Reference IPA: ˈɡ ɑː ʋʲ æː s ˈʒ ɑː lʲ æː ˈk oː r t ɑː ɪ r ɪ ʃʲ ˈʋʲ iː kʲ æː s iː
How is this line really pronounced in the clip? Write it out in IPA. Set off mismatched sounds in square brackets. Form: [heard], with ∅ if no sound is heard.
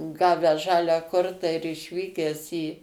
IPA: ˈɡ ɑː ʋʲ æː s ˈʒ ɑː lʲ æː ˈk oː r t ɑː ɪ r ɪ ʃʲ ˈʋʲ iː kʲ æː s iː

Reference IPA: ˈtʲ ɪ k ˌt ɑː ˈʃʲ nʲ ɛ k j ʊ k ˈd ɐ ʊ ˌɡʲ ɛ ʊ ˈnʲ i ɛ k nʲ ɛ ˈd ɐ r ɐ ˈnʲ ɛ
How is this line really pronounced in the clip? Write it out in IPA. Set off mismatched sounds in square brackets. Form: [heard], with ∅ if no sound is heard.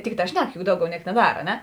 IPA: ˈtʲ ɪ k ˌt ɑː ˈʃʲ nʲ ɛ k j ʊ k ˈd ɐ ʊ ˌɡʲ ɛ ʊ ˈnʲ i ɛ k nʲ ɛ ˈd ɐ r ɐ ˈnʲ ɛ

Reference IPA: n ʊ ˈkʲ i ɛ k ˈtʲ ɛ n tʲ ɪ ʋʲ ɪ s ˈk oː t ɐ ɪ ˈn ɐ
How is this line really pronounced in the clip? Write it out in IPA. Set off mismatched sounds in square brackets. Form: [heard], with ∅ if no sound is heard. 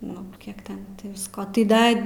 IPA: n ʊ ˈkʲ i ɛ k ˈtʲ ɛ n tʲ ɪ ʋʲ ɪ s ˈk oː t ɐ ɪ [ˈd] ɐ

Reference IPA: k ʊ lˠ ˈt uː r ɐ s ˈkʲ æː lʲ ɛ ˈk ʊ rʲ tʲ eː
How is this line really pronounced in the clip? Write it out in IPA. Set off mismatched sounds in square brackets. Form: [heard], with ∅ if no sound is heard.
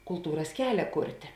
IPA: k ʊ lˠ ˈt uː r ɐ s ˈkʲ æː lʲ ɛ ˈk ʊ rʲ tʲ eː

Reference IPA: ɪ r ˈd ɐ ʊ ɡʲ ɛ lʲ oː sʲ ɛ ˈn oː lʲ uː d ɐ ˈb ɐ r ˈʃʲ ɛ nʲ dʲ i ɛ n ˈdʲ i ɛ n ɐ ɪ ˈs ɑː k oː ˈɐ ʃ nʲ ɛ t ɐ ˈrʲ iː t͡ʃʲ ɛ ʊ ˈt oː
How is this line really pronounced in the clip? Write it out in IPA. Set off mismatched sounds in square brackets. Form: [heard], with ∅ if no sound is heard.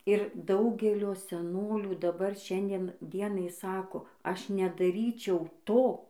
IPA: ɪ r ˈd ɐ ʊ ɡʲ ɛ lʲ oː sʲ ɛ ˈn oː lʲ uː d ɐ ˈb ɐ r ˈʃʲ ɛ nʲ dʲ i ɛ n ˈdʲ i ɛ n ɐ ɪ ˈs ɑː k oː ˈɐ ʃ nʲ ɛ [d] ɐ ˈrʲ iː t͡ʃʲ ɛ ʊ ˈt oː

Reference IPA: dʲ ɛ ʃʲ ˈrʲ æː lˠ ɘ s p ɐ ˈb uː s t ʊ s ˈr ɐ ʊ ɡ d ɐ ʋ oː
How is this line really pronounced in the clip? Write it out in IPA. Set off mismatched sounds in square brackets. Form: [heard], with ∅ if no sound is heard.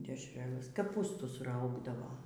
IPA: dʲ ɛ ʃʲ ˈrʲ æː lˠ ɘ s [k] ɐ [ˈp] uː s t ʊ s ˈr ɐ ʊ ɡ d ɐ ʋ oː

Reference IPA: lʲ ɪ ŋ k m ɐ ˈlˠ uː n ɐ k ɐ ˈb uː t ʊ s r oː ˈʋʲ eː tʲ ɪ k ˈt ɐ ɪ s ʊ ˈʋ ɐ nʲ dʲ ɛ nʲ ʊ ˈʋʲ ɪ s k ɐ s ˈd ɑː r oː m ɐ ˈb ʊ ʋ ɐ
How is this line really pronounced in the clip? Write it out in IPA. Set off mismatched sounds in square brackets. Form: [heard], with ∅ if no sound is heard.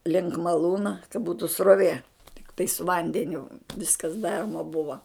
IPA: lʲ ɪ ŋ k m ɐ ˈlˠ uː n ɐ k ɐ ˈb uː t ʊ s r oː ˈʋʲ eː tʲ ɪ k ˈt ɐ ɪ s ʊ ˈʋ ɐ nʲ dʲ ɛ nʲ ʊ ˈʋʲ ɪ s k ɐ s ˈd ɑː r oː m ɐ ˈb ʊ ʋ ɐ

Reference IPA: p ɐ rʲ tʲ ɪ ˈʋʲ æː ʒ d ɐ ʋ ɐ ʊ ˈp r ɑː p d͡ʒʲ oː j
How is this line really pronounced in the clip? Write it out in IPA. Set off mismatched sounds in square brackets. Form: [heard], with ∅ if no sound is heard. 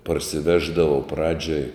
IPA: p ɐ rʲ [sʲ] ɪ ˈʋʲ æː ʒ d ɐ ʋ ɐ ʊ ˈp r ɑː [∅] d͡ʒʲ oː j

